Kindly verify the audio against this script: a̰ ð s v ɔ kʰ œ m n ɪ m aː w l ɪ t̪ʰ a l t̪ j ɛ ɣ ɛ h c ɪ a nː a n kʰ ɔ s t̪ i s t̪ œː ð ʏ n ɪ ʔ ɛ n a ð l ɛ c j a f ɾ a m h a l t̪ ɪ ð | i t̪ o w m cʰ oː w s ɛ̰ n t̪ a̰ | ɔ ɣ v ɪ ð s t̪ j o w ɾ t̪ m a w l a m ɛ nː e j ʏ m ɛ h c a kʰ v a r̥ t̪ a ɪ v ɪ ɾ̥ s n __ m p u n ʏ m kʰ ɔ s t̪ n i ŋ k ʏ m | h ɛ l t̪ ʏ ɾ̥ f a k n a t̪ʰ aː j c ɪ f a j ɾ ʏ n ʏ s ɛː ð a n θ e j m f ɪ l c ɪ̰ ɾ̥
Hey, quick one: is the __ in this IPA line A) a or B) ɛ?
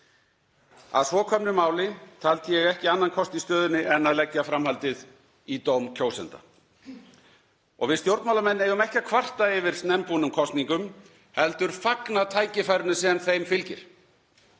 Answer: B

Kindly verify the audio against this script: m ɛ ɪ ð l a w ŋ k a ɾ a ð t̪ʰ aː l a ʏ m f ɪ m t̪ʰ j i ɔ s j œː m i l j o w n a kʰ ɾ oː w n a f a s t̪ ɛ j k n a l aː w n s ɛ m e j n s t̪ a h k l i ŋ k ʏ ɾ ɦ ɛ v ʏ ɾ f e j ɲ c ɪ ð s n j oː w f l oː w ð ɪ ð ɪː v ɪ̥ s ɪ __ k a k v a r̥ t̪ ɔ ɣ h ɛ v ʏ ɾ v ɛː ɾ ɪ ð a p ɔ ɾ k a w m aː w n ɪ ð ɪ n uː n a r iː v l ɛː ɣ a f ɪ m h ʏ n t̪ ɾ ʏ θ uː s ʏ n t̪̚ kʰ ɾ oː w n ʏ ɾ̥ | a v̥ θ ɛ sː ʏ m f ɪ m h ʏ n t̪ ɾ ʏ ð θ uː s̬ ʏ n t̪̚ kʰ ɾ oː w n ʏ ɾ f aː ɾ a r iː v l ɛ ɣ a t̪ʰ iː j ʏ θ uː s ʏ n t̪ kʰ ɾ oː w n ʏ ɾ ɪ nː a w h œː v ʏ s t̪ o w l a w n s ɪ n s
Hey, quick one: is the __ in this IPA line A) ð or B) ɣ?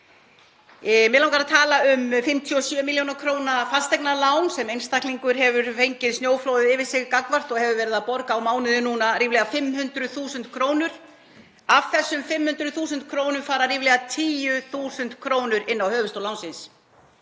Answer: B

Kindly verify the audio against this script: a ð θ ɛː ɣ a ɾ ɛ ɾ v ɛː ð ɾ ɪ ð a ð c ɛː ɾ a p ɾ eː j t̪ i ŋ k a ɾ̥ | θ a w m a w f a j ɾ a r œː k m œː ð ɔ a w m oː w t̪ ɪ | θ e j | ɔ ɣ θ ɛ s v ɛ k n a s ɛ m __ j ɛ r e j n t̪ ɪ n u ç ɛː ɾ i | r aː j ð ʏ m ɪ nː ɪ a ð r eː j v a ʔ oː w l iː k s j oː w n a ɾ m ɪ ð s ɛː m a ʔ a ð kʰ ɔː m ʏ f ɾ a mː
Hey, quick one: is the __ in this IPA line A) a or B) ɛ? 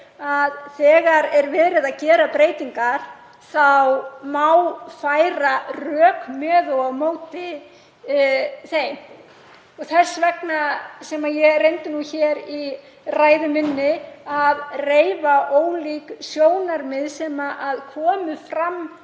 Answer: A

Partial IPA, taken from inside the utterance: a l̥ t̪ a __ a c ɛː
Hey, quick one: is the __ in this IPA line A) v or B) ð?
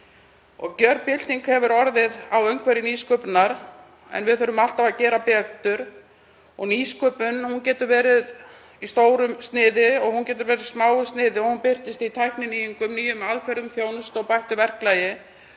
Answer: A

